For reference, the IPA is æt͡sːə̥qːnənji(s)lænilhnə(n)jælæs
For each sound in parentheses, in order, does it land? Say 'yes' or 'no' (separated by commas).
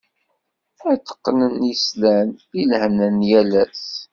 yes, yes